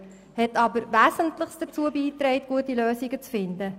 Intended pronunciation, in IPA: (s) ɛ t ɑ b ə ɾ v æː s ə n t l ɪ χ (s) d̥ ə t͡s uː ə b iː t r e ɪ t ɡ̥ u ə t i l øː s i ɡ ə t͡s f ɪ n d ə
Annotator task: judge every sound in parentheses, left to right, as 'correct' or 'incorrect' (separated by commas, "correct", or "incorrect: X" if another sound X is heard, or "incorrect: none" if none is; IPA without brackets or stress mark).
incorrect: h, correct